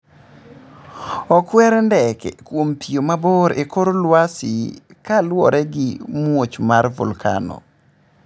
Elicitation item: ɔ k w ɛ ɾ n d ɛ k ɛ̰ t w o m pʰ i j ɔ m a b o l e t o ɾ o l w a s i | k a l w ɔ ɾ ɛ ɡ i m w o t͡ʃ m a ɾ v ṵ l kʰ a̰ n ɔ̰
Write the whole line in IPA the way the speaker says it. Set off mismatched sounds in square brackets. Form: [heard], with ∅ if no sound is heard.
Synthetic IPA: ɔ k w ɛ ɾ n d ɛ k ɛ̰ [k] w o m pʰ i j [o] m a b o [ɾ] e [k] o ɾ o l w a s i | k a l w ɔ ɾ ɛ ɡ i m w o t͡ʃ m a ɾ v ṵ l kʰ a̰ n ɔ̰